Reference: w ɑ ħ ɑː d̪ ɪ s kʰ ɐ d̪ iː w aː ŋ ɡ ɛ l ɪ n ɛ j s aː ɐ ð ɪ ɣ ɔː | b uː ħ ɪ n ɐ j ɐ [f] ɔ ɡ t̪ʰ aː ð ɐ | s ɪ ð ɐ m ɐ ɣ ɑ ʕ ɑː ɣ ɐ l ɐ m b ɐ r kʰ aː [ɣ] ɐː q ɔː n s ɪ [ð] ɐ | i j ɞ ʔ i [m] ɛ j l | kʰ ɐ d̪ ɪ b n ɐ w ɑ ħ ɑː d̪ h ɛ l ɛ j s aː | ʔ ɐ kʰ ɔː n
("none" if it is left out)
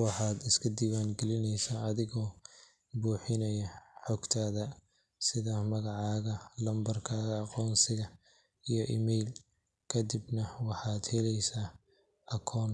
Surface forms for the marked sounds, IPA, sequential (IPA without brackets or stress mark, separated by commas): ħ, ɣ, ɣ, m